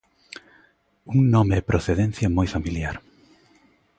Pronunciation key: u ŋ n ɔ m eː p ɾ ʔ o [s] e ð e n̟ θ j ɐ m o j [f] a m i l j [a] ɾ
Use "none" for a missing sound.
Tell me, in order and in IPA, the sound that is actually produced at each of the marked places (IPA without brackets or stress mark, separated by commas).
θ, f, a